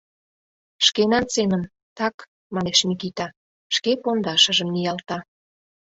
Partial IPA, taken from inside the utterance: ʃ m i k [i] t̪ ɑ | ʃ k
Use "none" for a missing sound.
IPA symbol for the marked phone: i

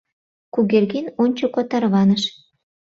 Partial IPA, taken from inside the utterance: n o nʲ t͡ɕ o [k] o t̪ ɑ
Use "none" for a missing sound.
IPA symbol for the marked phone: k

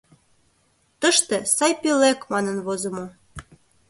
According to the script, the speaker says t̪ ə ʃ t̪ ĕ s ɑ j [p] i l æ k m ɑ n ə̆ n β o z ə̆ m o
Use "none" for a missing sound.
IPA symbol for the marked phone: p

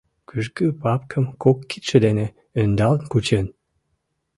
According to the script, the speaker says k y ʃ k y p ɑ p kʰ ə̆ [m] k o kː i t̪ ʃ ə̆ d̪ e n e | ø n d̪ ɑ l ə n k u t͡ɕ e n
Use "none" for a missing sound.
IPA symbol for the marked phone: m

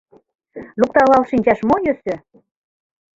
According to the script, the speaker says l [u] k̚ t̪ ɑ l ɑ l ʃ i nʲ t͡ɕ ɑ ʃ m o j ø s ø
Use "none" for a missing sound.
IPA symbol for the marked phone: u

